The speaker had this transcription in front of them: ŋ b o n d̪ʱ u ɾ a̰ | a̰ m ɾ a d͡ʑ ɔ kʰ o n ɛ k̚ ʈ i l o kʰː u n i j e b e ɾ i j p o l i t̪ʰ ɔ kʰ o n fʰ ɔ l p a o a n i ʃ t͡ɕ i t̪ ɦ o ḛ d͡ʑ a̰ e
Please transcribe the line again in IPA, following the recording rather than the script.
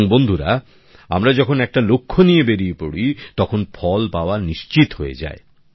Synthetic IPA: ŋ b o n d̪ʱ u ɾ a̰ | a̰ m ɾ a d͡ʑ ɔ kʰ o n ɛ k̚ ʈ a l o kʰː o n i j e b e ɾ i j p o ɽ i t̪ ɔ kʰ o n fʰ ɔ l p a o a n i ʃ t͡ɕ i t̪ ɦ o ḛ d͡ʑ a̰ e

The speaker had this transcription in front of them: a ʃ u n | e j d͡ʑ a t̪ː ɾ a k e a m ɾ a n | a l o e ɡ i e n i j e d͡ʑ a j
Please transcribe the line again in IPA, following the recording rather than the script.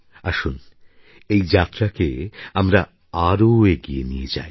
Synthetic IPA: a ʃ u n | e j d͡ʑ a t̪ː ɾ a k e a m ɾ a | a ɾ o e ɡ i e n i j e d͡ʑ a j

